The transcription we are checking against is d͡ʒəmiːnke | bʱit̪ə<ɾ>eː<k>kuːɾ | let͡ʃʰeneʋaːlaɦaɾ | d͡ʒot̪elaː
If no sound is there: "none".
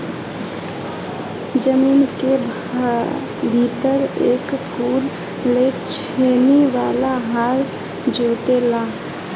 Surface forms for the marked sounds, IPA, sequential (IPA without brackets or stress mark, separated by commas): ɾ, k